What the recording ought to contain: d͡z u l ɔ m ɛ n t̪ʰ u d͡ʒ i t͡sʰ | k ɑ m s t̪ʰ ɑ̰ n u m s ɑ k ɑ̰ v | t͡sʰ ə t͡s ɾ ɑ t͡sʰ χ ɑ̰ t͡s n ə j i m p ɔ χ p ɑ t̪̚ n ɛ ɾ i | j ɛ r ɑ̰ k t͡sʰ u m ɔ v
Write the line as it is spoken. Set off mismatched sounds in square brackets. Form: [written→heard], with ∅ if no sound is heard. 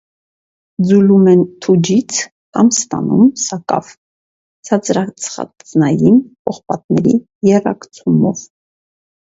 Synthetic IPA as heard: d͡z u l [ɔ→u] m ɛ n t̪ʰ u d͡ʒ i t͡sʰ | k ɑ m s [t̪ʰ→t̪] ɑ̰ n u m s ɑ k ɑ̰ v | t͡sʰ [ə→ɑ] t͡s ɾ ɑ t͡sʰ χ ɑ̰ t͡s n [ə→ɑ] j i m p ɔ χ p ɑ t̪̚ n ɛ ɾ i | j ɛ r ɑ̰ k t͡sʰ u m ɔ v